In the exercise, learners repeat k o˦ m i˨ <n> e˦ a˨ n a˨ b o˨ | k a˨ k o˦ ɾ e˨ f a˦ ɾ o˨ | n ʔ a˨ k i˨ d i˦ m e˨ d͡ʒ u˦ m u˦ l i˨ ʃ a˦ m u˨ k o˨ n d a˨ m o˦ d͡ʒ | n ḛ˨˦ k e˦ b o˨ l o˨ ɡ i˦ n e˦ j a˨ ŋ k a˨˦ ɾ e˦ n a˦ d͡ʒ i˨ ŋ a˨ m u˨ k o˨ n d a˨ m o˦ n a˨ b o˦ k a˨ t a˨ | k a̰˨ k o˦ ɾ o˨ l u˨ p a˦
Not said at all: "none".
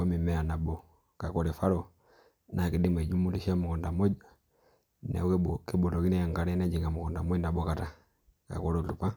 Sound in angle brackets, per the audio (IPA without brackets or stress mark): m